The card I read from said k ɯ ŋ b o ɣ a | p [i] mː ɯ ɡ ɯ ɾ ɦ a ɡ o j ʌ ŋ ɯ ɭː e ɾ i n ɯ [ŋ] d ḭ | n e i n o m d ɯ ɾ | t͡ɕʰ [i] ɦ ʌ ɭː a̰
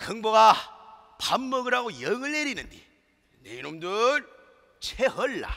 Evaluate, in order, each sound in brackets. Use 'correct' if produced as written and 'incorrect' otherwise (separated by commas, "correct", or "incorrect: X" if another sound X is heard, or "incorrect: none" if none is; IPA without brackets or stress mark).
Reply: incorrect: a, incorrect: n, incorrect: e